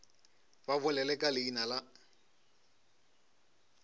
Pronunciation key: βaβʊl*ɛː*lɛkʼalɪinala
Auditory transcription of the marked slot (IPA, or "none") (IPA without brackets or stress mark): ɛ